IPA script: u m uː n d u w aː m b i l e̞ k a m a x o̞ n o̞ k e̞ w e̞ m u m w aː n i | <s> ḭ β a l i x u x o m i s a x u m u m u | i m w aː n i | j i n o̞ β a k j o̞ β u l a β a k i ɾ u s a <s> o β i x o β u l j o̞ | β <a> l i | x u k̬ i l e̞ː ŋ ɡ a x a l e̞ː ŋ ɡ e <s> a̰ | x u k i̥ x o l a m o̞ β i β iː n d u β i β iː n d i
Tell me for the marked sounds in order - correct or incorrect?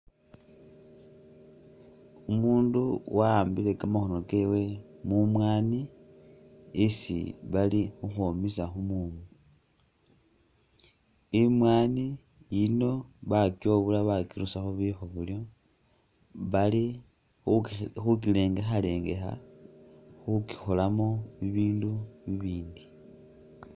correct, incorrect: x, correct, incorrect: x

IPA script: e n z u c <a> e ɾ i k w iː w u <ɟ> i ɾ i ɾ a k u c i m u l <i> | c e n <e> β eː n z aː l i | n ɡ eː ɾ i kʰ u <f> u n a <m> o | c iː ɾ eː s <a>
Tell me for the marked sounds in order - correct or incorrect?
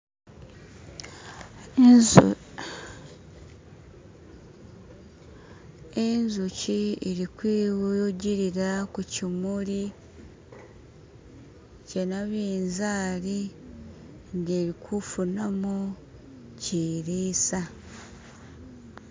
incorrect: i, correct, correct, incorrect: a, correct, correct, correct

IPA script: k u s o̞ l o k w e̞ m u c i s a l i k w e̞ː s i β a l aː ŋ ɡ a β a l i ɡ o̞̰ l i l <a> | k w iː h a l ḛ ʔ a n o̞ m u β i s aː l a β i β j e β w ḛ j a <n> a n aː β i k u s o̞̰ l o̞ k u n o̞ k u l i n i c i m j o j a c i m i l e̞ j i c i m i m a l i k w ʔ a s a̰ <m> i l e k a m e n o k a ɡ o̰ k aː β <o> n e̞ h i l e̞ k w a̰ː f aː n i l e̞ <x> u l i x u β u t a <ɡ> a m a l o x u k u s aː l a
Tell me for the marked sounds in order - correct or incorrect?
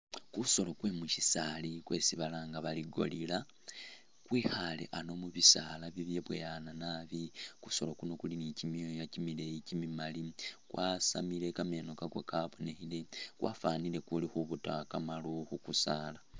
correct, correct, correct, correct, incorrect: k, incorrect: k

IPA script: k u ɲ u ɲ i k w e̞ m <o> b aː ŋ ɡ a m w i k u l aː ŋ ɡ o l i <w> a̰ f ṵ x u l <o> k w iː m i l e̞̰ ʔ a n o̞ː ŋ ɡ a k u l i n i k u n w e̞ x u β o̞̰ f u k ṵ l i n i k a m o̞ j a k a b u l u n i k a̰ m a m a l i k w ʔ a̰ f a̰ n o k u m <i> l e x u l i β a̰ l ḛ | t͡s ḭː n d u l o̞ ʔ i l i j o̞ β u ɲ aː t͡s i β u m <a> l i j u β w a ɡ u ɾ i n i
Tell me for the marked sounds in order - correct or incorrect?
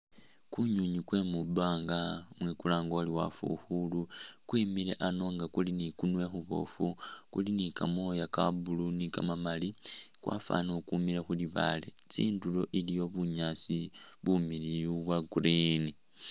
incorrect: u, correct, incorrect: u, correct, incorrect: i

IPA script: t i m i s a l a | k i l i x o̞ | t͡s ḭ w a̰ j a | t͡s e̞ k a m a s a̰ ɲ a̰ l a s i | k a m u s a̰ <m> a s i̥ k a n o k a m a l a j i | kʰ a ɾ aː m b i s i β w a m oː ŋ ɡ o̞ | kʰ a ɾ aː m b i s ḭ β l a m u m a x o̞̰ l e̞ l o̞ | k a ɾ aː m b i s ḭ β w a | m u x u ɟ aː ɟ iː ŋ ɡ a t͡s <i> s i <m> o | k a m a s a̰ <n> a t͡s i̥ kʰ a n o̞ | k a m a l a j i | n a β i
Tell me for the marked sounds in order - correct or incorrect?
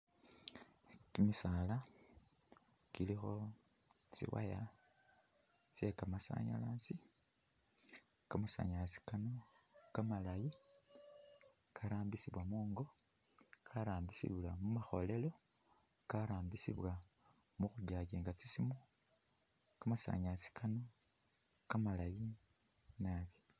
incorrect: ɲ, correct, correct, incorrect: ɲ

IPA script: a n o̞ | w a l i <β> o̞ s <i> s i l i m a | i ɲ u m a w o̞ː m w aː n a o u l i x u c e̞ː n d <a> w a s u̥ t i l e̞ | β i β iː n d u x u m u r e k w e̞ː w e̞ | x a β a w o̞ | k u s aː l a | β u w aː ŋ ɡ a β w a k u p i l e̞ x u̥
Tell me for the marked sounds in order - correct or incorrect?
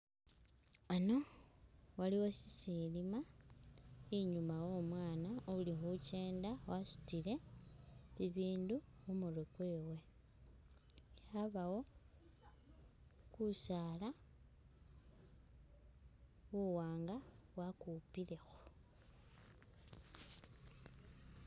incorrect: w, correct, correct

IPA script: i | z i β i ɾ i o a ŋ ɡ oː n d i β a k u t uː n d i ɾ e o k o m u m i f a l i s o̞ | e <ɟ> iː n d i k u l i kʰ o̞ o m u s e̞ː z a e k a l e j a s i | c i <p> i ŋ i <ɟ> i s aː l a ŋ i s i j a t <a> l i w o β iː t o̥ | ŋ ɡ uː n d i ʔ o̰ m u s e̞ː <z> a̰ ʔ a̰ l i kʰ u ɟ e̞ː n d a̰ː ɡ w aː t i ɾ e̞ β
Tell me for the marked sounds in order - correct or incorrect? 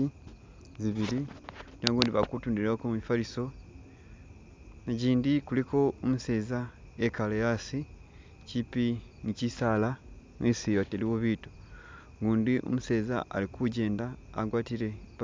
correct, correct, incorrect: c, incorrect: e, correct

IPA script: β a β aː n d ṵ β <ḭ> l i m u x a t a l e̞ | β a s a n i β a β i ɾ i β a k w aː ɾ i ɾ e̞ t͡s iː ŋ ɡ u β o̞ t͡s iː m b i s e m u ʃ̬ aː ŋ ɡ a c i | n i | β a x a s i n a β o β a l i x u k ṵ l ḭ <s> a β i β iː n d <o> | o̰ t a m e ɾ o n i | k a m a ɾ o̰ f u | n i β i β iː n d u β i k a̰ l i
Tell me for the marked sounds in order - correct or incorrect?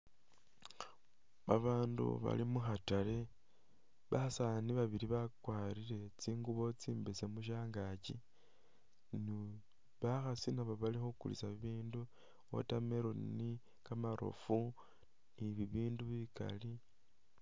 incorrect: a̰, correct, incorrect: u

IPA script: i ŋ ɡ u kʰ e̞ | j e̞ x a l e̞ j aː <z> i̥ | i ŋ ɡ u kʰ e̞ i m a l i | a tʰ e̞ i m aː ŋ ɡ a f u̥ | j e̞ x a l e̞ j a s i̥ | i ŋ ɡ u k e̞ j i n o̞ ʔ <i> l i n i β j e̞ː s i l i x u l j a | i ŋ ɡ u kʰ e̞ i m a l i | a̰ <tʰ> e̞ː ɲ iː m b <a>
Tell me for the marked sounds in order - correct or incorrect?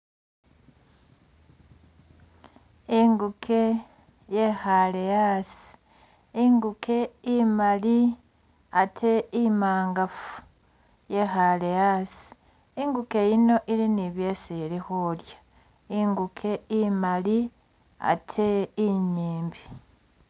incorrect: s, correct, correct, incorrect: i

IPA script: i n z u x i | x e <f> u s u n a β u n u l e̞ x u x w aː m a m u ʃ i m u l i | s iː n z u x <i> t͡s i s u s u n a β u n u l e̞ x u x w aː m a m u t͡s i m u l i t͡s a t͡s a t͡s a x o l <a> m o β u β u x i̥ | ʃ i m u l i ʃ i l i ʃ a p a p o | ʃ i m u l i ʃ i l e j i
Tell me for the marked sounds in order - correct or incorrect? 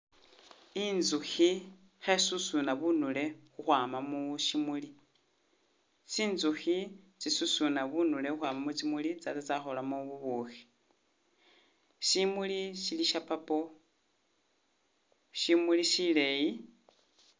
incorrect: s, correct, correct

